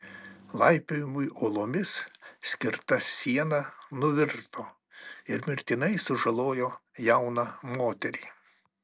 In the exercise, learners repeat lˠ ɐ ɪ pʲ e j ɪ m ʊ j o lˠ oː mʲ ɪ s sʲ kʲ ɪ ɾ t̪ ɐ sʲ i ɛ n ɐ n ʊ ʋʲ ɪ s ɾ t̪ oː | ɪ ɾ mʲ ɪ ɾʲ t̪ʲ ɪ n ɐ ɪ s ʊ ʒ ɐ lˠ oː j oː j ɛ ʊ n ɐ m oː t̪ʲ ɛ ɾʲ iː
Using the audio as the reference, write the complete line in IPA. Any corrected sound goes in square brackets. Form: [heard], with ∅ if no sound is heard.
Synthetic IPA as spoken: lˠ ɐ ɪ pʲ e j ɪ m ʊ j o lˠ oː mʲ ɪ s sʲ kʲ ɪ ɾ t̪ ɐ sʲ i ɛ n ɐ n ʊ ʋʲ ɪ [∅] ɾ t̪ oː | ɪ ɾ mʲ ɪ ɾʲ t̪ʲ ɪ n ɐ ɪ s ʊ ʒ ɐ lˠ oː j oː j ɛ ʊ n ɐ m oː t̪ʲ ɛ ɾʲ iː